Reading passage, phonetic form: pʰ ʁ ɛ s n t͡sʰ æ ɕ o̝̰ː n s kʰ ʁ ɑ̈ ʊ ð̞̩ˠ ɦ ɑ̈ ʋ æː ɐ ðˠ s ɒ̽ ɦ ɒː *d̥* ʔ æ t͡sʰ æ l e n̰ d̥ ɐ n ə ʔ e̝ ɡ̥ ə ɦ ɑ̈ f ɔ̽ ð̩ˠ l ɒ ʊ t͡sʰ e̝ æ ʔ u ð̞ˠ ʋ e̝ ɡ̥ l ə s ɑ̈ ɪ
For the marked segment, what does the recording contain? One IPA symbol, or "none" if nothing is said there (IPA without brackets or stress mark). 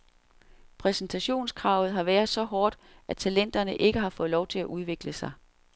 d̥